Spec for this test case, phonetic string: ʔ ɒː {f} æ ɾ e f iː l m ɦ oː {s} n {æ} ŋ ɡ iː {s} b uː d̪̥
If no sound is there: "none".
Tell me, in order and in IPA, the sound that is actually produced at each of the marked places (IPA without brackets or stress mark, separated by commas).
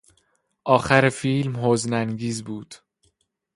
x, z, æ, z